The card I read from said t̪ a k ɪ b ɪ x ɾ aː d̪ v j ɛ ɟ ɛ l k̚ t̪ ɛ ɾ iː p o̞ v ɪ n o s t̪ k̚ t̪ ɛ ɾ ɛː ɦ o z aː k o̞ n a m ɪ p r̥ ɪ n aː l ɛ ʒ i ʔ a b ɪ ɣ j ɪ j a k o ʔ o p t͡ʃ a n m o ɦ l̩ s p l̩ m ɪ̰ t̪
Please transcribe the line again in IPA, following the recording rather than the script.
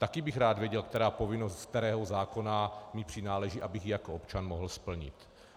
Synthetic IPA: t̪ a k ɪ b ɪ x ɾ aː d̪ v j ɛ ɟ ɛ l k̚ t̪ ɛ ɾ aː p o̞ v ɪ n o s t̪ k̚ t̪ ɛ ɾ ɛː ɦ o z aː k o̞ n a m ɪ p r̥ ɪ n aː l ɛ ʒ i ʔ a b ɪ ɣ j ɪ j a k o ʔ o p t͡ʃ a n m o ɦ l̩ s p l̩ ɲ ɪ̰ t̪